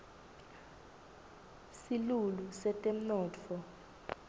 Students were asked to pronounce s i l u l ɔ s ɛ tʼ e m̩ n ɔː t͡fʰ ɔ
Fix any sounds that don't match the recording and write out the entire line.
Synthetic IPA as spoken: s i l u l u s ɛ tʼ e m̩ n ɔː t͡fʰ ɔ